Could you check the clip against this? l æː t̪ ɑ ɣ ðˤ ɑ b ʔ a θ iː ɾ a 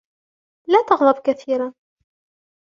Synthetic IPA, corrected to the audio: l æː t̪ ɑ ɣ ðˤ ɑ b k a θ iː ɾ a